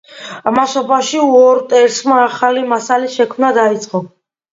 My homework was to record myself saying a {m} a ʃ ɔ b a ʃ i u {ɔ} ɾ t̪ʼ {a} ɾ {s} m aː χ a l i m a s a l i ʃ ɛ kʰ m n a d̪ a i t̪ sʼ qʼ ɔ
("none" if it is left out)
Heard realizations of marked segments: m, ɔ, ɛ, s

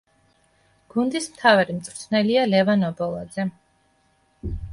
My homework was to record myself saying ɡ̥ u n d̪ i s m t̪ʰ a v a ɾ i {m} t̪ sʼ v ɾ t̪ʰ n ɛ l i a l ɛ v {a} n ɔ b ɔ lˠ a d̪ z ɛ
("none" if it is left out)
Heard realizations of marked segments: m, a

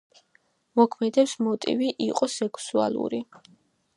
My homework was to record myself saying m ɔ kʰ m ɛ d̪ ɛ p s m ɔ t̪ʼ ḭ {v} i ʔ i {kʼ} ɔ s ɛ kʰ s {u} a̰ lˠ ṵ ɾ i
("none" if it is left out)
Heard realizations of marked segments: v, qʼ, u

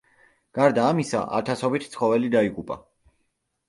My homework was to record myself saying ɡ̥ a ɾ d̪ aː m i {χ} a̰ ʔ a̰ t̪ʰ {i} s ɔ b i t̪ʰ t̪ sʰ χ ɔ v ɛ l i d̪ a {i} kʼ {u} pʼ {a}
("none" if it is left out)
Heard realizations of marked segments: s, a, i, u, a

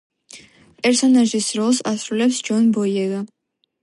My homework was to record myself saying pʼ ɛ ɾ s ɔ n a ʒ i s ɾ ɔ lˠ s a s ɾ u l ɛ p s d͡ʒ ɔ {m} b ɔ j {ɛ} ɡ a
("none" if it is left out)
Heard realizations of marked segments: n, ɛ

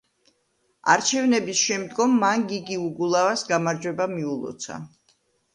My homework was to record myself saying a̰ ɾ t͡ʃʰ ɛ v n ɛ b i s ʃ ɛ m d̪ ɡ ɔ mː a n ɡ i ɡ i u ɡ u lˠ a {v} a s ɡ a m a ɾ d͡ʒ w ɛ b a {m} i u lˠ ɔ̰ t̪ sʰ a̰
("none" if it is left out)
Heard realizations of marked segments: v, m

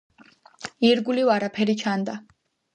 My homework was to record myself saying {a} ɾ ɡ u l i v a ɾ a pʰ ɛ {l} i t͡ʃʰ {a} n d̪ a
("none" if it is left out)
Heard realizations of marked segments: i, ɾ, a

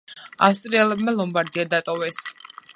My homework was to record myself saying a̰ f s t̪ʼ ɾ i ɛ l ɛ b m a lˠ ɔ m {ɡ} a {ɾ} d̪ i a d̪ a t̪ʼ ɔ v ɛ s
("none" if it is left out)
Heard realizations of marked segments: b, ɾ

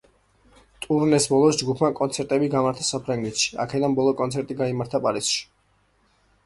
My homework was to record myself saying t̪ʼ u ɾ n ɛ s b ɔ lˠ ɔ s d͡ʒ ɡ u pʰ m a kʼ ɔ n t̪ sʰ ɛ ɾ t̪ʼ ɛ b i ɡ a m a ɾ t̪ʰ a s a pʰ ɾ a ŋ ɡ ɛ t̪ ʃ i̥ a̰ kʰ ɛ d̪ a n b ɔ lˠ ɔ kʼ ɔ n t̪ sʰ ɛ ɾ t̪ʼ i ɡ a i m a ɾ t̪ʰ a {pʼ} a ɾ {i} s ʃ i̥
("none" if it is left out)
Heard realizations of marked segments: pʼ, i

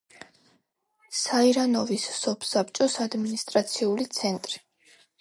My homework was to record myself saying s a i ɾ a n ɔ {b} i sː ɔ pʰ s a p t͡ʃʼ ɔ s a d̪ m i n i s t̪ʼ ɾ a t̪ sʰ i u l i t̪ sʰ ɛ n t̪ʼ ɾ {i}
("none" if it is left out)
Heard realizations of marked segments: v, i

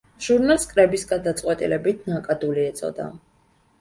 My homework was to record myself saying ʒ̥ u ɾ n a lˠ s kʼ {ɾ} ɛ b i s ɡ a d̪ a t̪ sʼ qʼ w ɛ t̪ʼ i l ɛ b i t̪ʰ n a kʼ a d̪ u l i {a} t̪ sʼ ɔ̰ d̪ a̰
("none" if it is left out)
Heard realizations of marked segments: ɾ, ɛ

